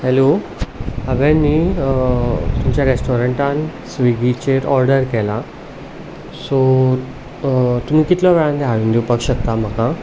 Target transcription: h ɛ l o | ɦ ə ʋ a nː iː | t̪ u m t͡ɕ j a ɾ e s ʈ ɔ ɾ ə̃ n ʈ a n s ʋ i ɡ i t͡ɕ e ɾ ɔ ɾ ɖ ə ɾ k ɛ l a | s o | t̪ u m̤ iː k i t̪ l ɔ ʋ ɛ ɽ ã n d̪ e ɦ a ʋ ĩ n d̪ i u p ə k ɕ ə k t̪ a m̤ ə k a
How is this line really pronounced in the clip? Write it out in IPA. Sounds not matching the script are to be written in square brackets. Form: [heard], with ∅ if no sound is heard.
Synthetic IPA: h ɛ l o | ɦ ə ʋ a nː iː | t̪ u m t͡ɕ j a ɾ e s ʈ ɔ ɾ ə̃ [ɳ] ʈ a n s ʋ i ɡ i t͡ɕ e ɾ ɔ ɾ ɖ ə ɾ k ɛ l a | s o | t̪ u m̤ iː k i t̪ l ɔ ʋ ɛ [ɭ] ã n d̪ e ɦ a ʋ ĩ n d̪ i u p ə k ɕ ə k t̪ a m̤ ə k a